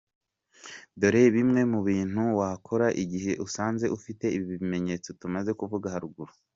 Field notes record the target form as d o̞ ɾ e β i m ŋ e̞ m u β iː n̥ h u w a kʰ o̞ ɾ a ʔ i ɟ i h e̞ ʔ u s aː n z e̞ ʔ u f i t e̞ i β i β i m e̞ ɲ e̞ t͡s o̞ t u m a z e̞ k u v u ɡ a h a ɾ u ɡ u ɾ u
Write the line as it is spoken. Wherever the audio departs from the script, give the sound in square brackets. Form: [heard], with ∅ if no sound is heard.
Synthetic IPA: d o̞ ɾ e β i m ŋ e̞ m u β iː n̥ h u w a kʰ o̞ ɾ a ʔ i ɟ i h e̞ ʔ u s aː n z e̞ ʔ u f i t e̞ i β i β i m e̞ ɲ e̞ t͡s o̞ t u m a z e̞ k u v u ɡ a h a ɾ u ɡ u ɾ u